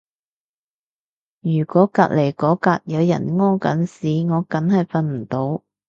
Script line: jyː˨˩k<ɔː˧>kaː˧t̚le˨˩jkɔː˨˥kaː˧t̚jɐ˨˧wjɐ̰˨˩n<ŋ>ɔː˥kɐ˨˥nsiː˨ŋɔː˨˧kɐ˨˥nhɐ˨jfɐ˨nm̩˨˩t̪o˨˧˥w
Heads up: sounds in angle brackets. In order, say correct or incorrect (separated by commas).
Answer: incorrect, correct